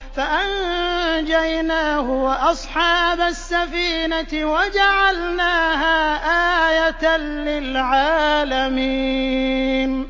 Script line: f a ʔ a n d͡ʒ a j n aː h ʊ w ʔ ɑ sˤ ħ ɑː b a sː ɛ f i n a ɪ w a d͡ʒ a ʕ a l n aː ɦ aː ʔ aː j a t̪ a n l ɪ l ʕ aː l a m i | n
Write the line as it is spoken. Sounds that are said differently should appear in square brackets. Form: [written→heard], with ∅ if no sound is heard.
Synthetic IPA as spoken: f a ʔ a n d͡ʒ a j n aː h ʊ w ʔ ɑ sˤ ħ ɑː b a sː [ɛ→a] f [i→iː] n a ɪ w a d͡ʒ a ʕ a l n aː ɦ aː ʔ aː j a t̪ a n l ɪ l ʕ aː l a m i | n